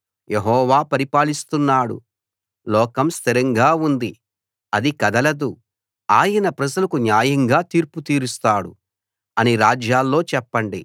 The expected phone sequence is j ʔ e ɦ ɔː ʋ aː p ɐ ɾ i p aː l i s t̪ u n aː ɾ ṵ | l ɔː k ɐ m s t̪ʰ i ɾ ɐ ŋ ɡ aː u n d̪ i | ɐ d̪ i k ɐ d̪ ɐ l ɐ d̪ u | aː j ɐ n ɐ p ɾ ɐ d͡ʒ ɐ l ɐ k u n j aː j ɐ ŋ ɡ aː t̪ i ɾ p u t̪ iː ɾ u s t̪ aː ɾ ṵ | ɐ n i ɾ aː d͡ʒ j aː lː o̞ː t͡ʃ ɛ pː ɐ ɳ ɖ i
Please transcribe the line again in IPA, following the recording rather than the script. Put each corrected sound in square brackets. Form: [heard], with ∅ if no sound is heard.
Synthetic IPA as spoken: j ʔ e ɦ ɔː ʋ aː p ɐ ɾ i p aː l i s t̪ u [nː] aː [ɽ] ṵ | l ɔː k ɐ m s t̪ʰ i ɾ ɐ ŋ ɡ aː u n d̪ i | ɐ d̪ i k ɐ d̪ ɐ l ɐ d̪ u | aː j ɐ n ɐ p ɾ ɐ d͡ʒ ɐ l ɐ k u n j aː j ɐ ŋ ɡ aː t̪ [iː] ɾ p u t̪ iː ɾ u s t̪ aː [ɽ] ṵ | ɐ n i ɾ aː d͡ʒ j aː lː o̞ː t͡ʃ ɛ pː ɐ ɳ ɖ i